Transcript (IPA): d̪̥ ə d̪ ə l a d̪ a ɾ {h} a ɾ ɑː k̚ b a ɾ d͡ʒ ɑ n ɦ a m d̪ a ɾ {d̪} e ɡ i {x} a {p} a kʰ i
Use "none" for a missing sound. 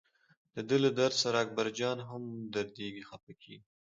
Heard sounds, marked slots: s, d̪, x, p

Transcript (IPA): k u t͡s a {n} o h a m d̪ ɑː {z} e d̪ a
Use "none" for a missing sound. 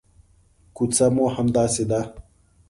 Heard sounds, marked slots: m, s

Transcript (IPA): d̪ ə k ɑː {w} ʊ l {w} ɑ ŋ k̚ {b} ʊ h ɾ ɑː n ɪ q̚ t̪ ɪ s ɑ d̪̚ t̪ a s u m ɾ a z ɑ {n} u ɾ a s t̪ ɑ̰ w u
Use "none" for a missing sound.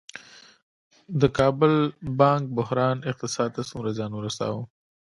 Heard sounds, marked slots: b, b, b, n

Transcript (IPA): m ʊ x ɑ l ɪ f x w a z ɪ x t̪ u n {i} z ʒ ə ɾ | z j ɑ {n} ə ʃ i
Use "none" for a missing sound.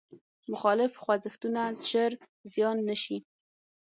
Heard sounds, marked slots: a, nː

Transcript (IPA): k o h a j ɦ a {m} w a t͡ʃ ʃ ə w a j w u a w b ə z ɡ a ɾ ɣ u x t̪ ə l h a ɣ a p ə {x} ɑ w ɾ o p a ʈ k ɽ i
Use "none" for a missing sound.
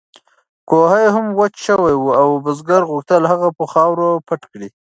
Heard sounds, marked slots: m, x

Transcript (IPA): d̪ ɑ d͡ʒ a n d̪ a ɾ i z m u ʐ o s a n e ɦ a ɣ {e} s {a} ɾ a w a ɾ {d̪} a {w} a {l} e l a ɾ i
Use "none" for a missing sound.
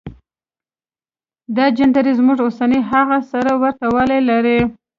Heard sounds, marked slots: a, a, t̪, w, l

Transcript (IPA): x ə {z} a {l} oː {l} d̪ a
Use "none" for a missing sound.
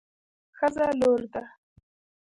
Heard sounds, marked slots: z, l, ɾ

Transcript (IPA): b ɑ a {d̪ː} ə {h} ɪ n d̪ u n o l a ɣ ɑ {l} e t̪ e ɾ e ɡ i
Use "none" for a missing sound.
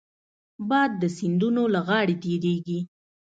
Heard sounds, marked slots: d̪ː, s, ɽ

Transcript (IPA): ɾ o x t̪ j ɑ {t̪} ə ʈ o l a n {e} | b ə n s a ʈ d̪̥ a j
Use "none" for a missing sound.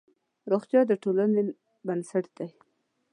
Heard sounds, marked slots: d̪, e

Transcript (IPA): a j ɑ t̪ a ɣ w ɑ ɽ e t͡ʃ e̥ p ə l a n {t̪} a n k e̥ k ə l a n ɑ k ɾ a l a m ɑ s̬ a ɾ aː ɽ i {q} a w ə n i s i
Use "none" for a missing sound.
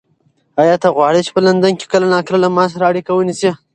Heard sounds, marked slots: d̪, k

